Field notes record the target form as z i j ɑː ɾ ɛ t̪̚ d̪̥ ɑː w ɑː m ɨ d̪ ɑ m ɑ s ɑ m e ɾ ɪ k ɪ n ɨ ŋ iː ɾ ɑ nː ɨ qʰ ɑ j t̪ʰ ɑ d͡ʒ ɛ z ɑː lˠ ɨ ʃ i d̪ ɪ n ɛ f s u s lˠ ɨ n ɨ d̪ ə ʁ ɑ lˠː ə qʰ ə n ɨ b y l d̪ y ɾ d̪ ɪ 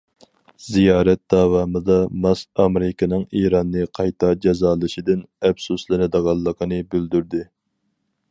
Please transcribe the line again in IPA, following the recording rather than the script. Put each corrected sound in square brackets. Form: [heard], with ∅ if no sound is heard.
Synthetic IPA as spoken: z i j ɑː ɾ ɛ t̪̚ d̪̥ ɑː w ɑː m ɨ d̪ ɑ m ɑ s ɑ m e ɾ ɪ k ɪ n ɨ ŋ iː ɾ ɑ nː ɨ qʰ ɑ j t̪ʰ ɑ d͡ʒ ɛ z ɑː lˠ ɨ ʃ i d̪ ɪ n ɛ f s u s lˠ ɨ n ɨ d̪ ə ʁ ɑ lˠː ə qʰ ə n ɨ b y l d̪ y ɾ d̪ ɪ